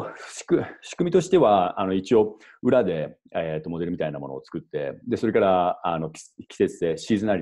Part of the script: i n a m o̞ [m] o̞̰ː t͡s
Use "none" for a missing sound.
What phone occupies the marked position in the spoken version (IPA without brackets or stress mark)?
n